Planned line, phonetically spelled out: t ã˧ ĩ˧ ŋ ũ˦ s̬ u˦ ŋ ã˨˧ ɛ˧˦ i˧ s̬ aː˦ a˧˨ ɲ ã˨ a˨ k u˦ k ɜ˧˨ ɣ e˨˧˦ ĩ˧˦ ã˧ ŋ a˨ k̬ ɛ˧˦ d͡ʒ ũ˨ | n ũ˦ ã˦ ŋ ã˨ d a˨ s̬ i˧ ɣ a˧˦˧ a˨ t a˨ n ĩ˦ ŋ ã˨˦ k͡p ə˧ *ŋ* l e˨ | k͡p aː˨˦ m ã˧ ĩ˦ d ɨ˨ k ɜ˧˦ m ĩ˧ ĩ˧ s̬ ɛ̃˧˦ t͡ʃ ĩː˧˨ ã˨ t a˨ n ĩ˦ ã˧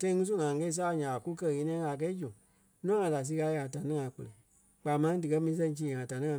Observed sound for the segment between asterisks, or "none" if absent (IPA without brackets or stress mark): none